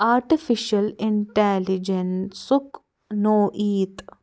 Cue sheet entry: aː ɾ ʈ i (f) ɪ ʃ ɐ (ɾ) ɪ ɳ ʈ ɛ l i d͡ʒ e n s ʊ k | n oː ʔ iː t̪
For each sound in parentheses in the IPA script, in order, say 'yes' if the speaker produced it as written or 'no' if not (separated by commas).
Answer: yes, no